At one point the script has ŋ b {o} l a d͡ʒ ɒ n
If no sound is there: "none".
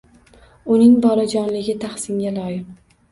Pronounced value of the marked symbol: ɒ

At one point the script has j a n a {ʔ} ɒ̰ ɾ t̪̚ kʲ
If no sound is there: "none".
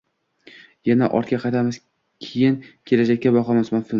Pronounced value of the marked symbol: ʔ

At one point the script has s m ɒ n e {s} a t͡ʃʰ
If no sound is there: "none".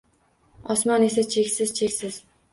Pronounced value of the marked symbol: s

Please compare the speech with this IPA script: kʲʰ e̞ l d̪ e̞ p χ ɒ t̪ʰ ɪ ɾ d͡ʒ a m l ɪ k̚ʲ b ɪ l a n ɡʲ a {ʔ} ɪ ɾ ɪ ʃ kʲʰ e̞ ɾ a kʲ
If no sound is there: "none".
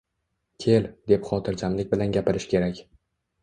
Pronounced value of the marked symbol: p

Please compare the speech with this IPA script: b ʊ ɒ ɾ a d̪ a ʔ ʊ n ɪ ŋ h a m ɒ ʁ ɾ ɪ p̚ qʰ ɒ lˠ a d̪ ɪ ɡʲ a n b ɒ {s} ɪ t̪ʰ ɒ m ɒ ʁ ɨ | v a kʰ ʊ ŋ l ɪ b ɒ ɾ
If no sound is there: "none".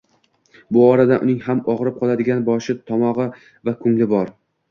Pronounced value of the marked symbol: ʃ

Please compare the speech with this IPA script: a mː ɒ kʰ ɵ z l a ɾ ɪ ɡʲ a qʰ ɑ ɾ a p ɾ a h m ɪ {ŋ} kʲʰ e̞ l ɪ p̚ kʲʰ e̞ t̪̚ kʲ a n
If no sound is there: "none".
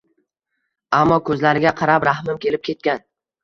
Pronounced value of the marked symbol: m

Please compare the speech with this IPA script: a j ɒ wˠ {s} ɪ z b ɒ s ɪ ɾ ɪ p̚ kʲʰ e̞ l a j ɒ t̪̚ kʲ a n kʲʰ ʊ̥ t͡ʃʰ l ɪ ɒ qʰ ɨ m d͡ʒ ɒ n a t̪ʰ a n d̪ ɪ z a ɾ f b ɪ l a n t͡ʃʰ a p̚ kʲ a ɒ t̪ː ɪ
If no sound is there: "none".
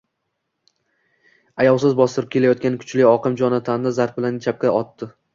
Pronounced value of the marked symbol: s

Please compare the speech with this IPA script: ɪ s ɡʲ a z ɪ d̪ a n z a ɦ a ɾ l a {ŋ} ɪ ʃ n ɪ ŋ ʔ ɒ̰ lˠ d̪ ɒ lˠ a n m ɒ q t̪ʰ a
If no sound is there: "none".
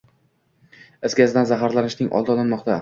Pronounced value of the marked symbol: n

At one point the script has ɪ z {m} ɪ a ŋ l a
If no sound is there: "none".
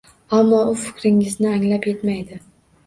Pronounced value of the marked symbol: n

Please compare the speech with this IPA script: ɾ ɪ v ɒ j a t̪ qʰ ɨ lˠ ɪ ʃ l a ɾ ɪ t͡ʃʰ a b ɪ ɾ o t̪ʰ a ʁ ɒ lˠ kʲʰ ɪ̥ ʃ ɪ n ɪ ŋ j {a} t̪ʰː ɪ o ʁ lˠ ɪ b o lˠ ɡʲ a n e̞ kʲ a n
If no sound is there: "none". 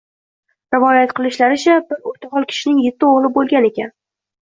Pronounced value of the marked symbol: e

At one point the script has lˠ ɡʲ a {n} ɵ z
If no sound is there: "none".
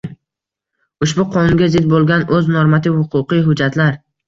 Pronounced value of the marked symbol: n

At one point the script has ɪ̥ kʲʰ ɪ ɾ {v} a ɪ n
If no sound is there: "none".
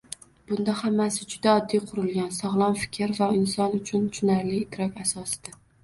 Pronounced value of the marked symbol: v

